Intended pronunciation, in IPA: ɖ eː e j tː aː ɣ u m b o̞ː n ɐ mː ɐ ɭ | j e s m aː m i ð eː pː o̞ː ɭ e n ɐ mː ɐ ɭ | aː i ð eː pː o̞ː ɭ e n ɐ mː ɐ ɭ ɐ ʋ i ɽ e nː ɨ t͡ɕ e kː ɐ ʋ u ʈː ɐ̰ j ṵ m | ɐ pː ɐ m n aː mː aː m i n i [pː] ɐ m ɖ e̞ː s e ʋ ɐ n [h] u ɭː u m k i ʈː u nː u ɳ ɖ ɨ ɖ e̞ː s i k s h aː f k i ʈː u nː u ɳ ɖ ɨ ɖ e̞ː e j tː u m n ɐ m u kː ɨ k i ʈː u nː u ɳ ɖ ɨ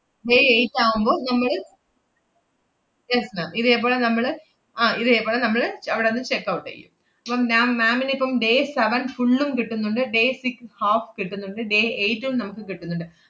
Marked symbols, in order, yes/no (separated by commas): yes, no